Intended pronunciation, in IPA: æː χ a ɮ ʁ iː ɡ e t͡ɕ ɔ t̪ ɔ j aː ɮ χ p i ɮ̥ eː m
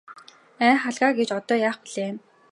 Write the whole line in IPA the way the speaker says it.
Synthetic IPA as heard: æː χ a ɮ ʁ aː ɡ e t͡ɕ ɔ t̪ ɔː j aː χ p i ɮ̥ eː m